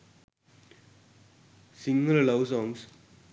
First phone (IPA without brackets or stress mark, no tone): s